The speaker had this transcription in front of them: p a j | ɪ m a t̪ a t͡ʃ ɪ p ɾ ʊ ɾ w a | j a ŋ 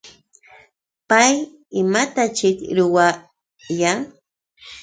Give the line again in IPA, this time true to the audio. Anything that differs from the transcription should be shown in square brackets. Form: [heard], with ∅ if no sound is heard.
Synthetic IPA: p a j | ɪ m a t̪ a t͡ʃ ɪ [k] ɾ ʊ [∅] w a | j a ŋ